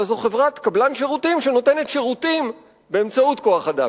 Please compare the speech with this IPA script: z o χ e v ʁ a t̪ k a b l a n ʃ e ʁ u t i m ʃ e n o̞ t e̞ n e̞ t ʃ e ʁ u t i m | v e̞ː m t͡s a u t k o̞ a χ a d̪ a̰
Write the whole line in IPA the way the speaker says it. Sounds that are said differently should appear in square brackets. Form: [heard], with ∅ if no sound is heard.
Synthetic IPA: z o χ e v ʁ a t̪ k a b l a n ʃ e ʁ u t i m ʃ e n o̞ t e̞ n e̞ t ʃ e ʁ u t i m | [b] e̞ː m t͡s a u t k o̞ a χ a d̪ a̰